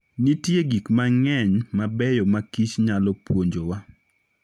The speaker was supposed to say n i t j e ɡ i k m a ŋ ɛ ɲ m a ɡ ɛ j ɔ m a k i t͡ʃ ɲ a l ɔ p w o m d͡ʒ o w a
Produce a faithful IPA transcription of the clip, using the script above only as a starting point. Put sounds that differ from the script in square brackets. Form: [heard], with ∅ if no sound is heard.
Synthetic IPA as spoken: n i t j e ɡ i k m a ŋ ɛ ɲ m a [b] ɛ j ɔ m a k i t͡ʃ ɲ a l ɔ p w o [ɲ] d͡ʒ o w a